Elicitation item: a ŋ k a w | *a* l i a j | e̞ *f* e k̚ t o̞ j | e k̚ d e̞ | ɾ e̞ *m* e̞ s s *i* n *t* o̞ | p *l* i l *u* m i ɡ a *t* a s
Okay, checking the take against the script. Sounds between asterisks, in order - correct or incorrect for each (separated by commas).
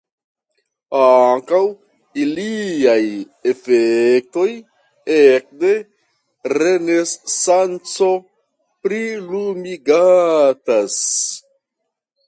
incorrect, correct, incorrect, incorrect, incorrect, incorrect, correct, correct